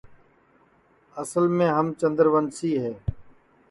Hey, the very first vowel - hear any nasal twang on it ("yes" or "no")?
no